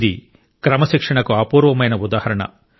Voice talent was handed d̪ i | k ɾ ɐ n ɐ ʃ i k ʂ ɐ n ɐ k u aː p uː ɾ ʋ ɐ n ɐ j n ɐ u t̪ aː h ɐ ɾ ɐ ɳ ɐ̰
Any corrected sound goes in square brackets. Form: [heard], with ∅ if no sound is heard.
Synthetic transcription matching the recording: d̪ i | k ɾ ɐ [m] ɐ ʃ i k ʂ ɐ [ɳ] ɐ k u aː p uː ɾ ʋ ɐ [m] ɐ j n ɐ u [d̪] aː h ɐ ɾ ɐ ɳ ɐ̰

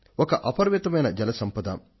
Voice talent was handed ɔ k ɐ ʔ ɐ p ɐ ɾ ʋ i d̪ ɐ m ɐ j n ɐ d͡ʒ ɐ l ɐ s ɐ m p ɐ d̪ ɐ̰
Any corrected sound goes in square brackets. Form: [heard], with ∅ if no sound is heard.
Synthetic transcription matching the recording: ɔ k ɐ ʔ ɐ p ɐ ɾ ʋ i [t̪] ɐ m ɐ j n ɐ d͡ʒ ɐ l ɐ s ɐ m p ɐ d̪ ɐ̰

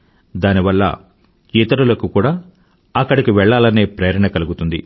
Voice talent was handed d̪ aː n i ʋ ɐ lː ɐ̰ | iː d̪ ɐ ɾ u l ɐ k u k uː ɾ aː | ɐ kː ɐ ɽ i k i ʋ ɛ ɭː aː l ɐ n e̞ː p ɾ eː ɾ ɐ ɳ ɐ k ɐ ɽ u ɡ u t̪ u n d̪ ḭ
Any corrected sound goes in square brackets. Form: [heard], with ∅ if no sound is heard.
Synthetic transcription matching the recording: d̪ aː n i ʋ ɐ lː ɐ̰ | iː [t̪] ɐ ɾ u l ɐ k u k uː [ɽ] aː | ɐ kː ɐ ɽ i k i ʋ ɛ ɭː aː l ɐ n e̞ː p ɾ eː ɾ ɐ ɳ ɐ k ɐ [l] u ɡ u t̪ u n d̪ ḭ

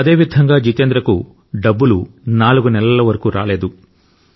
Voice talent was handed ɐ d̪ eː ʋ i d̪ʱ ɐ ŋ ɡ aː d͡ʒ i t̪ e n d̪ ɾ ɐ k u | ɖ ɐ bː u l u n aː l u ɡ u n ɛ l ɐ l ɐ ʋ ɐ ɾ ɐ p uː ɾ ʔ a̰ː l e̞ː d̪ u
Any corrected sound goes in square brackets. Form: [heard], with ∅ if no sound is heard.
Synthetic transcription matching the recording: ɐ d̪ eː ʋ i d̪ʱ ɐ ŋ ɡ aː d͡ʒ i t̪ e n d̪ ɾ ɐ k u | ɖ ɐ bː u l u n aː l u ɡ u n ɛ l ɐ l ɐ ʋ ɐ ɾ ɐ [k] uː ɾ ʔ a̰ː l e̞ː d̪ u

